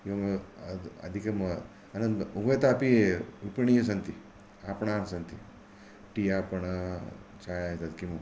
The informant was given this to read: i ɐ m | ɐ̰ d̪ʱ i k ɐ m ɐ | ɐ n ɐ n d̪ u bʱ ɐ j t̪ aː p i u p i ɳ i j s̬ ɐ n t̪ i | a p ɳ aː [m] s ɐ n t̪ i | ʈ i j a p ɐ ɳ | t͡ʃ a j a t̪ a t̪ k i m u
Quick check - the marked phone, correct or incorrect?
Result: incorrect